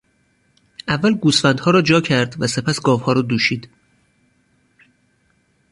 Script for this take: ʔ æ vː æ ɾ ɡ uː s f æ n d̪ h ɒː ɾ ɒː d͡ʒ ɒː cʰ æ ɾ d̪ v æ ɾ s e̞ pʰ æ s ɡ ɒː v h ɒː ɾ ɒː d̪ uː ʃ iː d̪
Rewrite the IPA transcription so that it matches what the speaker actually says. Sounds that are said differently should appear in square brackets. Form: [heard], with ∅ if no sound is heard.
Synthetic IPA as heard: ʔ æ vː æ [l] ɡ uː s f æ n d̪ h ɒː ɾ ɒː d͡ʒ ɒː cʰ æ ɾ d̪ v æ [∅] s e̞ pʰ æ s ɡ ɒː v h ɒː ɾ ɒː d̪ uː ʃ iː d̪